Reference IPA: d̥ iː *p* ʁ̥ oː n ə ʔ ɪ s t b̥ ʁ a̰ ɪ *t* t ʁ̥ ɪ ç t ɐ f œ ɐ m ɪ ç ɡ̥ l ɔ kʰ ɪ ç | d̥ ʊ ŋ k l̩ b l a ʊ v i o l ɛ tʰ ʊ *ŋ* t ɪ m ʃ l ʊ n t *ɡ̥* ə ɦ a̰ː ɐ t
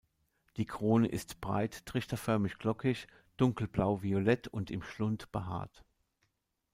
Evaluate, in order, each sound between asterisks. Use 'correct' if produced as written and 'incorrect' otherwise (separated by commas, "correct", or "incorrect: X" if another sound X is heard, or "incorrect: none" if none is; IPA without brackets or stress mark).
incorrect: k, correct, incorrect: n, incorrect: b̥